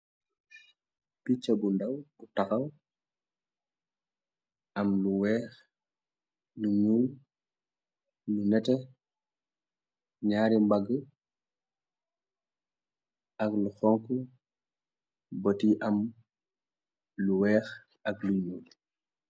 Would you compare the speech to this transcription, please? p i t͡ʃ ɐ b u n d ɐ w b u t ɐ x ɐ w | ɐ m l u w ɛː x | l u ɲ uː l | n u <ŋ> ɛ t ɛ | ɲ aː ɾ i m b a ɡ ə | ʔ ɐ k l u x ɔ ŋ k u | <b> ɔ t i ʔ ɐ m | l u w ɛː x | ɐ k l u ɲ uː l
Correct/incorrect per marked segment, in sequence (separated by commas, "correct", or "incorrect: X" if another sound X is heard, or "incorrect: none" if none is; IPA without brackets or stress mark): incorrect: n, correct